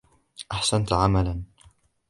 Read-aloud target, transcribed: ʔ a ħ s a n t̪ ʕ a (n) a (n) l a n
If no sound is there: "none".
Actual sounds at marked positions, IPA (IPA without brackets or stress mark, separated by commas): m, none